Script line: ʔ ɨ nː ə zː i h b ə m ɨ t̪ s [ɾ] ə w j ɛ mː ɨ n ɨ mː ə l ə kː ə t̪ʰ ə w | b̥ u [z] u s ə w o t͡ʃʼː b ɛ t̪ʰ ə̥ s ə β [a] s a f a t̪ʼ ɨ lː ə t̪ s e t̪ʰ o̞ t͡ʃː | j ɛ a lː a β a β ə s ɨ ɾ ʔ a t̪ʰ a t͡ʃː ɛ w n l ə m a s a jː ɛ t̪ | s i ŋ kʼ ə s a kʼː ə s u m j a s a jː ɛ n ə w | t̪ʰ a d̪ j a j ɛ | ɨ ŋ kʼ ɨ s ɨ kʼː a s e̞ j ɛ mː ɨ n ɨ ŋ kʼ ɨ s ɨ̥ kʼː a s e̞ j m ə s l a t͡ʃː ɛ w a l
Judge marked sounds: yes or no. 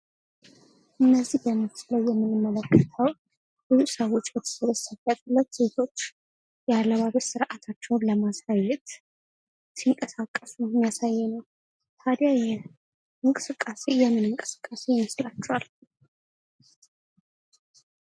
no, yes, no

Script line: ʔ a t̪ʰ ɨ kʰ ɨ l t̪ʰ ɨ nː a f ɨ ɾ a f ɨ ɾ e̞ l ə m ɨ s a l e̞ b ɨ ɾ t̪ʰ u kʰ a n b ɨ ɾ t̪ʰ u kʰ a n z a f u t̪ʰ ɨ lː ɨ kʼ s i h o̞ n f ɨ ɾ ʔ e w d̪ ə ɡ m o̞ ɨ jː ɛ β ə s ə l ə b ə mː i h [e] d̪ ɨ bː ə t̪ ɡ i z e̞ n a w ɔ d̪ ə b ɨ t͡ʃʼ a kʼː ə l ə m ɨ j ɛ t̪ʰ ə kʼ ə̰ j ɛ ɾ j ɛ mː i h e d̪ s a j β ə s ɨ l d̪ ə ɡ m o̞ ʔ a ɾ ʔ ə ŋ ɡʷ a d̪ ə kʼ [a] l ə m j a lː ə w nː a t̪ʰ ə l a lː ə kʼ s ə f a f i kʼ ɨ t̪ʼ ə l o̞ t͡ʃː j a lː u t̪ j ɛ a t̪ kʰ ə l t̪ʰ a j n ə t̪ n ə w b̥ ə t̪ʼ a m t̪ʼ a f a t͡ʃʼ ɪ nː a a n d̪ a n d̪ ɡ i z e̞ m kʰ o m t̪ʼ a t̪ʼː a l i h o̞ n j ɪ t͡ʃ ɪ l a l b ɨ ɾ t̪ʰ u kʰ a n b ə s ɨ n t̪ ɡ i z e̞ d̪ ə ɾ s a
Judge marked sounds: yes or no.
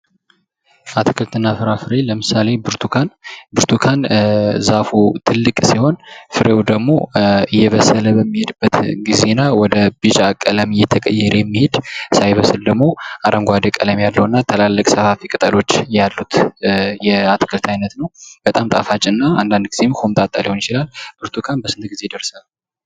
yes, no

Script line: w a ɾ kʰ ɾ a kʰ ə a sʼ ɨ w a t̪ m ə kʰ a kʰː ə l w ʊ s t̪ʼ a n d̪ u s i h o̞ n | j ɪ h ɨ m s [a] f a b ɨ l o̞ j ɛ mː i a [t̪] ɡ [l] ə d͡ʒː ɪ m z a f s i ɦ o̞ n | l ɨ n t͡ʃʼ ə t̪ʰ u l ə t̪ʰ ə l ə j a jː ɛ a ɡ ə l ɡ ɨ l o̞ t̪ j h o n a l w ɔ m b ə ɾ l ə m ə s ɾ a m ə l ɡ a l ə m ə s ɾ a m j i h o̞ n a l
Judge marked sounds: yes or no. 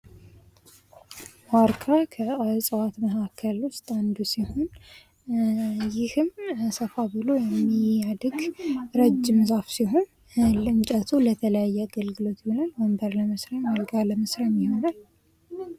no, no, no

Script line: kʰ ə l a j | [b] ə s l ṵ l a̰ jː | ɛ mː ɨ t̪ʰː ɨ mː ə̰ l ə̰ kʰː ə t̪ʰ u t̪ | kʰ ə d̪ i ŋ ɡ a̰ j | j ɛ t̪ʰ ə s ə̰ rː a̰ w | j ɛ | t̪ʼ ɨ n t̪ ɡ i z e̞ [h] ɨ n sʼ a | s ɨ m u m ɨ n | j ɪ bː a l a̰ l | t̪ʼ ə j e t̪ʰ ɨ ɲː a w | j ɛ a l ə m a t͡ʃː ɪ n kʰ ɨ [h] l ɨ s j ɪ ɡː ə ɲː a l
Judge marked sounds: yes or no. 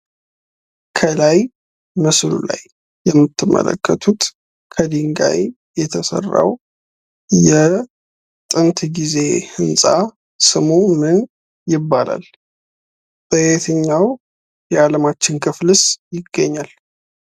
no, yes, no

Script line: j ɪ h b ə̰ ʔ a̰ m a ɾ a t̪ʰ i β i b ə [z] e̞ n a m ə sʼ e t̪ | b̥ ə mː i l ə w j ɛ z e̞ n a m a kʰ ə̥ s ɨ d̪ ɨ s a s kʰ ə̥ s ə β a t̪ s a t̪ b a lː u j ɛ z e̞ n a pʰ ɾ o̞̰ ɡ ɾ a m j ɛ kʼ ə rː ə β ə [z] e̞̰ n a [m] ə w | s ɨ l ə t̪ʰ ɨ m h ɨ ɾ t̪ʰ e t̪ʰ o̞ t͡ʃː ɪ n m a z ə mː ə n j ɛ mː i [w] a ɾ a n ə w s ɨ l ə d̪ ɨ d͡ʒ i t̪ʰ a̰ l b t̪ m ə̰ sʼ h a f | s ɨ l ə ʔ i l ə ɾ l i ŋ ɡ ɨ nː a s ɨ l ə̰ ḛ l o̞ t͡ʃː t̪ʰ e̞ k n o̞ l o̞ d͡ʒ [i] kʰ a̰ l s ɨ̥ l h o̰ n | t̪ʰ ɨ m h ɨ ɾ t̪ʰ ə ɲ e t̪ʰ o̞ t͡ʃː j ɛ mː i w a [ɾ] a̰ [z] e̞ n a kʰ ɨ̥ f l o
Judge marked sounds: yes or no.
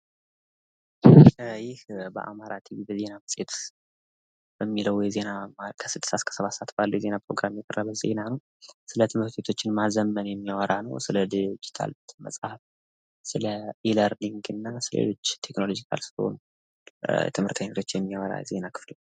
yes, yes, no, yes, yes, yes, yes

